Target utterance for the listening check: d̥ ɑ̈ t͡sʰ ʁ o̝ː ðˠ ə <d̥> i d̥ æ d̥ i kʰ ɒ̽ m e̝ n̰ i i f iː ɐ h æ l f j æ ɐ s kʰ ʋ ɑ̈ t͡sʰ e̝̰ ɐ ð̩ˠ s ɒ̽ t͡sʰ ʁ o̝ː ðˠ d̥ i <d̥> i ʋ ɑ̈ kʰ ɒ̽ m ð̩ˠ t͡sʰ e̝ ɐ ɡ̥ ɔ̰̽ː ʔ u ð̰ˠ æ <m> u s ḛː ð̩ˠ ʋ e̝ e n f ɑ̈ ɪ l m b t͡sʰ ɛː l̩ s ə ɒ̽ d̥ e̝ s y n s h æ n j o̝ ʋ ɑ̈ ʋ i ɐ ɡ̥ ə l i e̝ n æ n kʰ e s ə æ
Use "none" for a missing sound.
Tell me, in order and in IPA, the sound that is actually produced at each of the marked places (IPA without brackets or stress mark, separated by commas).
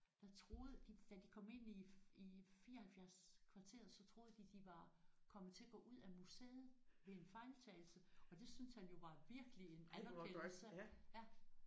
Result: d̥, d̥, m